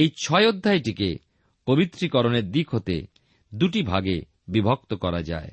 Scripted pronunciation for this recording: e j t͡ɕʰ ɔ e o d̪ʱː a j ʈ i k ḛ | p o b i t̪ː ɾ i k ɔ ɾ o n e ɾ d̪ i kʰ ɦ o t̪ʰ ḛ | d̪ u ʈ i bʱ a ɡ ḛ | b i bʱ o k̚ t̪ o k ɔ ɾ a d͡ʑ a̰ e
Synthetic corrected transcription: e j t͡ɕʰ ɔ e o d̪ʱː a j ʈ i k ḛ | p o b i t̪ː ɾ i k ɔ ɾ o n e ɾ d̪ i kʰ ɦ o t̪ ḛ | d̪ u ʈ i bʱ a ɡ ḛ | b i bʱ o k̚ t̪ o k ɔ ɾ a d͡ʑ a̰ e